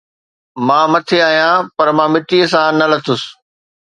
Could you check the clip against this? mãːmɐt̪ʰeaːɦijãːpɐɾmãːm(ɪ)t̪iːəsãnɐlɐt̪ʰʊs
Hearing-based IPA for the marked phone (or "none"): ɪ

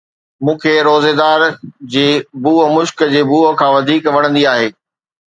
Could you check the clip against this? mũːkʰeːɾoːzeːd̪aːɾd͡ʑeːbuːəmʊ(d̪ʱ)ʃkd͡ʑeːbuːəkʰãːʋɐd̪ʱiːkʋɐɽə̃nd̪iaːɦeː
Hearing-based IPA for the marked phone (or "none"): none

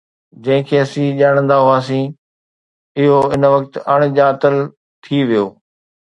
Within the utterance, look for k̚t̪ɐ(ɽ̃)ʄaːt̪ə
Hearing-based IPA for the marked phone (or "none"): ɽ̃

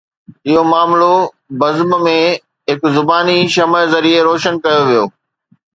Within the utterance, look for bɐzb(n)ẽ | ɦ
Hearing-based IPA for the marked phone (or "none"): m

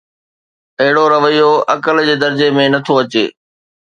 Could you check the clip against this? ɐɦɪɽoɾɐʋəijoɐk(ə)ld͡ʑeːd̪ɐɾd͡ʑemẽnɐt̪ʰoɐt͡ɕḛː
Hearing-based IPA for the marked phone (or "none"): ə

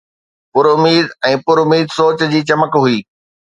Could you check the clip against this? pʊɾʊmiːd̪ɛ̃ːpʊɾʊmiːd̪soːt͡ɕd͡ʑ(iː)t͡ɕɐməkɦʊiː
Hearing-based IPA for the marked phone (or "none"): iː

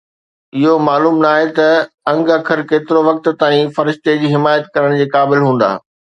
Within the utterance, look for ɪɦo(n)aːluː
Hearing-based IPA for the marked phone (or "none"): m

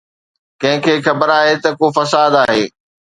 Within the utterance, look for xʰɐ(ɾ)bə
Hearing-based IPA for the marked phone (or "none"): none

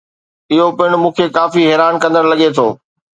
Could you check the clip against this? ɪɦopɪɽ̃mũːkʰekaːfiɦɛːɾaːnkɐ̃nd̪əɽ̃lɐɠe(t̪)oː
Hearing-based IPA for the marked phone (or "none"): t̪ʰ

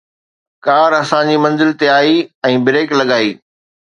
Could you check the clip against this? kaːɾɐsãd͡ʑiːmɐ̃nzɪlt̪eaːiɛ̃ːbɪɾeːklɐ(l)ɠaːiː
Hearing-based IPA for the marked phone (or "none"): none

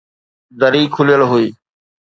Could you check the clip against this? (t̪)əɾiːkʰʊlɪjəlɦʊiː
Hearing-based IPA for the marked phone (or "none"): d̪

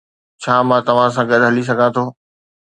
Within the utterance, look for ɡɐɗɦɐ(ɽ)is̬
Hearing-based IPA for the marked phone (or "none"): l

